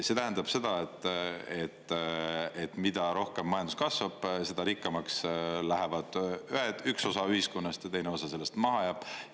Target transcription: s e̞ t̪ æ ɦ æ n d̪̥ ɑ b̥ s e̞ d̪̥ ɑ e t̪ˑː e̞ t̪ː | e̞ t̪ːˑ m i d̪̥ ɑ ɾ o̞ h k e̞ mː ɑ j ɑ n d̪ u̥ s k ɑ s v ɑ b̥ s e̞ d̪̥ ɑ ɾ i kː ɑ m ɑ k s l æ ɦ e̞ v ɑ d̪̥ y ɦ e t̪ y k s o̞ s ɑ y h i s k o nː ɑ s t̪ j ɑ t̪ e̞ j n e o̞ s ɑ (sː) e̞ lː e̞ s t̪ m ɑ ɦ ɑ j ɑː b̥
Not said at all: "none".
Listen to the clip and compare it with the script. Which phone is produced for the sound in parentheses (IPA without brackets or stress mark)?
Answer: s